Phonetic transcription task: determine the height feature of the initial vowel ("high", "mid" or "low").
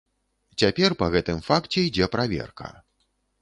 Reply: low